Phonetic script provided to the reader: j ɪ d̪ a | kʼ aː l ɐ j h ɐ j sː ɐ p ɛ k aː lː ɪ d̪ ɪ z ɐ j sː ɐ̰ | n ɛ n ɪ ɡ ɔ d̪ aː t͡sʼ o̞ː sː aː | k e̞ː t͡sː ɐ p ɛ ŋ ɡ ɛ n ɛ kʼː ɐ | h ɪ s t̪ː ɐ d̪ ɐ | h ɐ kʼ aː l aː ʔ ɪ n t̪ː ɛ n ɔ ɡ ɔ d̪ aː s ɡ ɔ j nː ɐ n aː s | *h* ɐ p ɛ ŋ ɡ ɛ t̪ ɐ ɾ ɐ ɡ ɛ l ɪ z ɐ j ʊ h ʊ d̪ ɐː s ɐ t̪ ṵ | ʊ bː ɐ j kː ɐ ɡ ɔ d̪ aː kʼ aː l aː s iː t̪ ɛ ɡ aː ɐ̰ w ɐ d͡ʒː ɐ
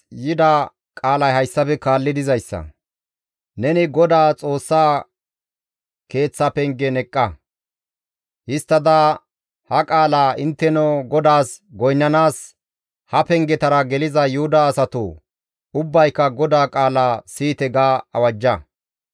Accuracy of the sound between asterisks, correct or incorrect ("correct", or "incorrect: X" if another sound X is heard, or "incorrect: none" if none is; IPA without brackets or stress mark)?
correct